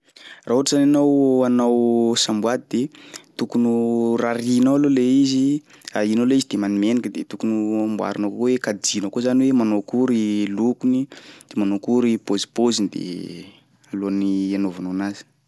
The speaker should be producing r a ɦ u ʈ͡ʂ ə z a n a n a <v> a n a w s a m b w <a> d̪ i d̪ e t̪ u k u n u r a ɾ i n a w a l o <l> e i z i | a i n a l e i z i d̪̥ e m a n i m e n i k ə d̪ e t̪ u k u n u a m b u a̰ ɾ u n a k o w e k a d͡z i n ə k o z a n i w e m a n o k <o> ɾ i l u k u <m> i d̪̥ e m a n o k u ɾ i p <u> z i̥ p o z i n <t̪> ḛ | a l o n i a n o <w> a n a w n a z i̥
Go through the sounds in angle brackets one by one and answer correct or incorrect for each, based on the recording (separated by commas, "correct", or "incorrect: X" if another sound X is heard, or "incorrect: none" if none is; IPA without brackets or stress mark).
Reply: incorrect: w, correct, correct, incorrect: u, incorrect: n, incorrect: o, incorrect: d̪, incorrect: v